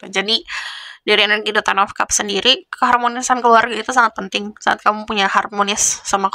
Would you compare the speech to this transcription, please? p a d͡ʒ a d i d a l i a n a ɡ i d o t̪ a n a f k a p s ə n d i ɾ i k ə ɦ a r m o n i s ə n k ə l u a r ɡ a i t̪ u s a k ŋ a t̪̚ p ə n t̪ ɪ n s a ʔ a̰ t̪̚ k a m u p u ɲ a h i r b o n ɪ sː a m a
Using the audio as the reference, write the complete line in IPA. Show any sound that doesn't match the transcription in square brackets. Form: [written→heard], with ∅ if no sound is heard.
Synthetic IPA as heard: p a d͡ʒ a d i d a [l→ɾ] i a n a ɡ i d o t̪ a n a f k a p s ə n d i ɾ i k ə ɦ a r m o n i s [ə→a] n k ə l u a r ɡ a i t̪ u s a [k→∅] ŋ a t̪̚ p ə n t̪ ɪ [n→ŋ] s a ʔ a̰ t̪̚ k a m u p u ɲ a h [i→a] r [b→m] o n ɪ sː a m a